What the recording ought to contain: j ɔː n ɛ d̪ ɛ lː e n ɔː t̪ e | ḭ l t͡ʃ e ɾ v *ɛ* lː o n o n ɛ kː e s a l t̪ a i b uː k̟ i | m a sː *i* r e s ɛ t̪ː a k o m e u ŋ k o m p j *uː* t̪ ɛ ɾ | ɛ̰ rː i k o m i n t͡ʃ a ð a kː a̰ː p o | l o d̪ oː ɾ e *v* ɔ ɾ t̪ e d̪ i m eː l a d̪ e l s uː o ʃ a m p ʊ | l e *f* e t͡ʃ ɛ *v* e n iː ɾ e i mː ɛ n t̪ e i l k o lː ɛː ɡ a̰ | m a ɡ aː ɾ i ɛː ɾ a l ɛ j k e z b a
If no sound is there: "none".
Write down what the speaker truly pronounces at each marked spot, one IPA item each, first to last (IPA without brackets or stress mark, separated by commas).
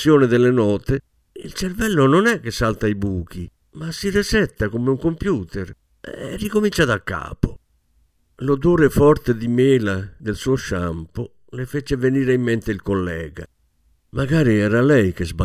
ɛ, i, uː, f, f, v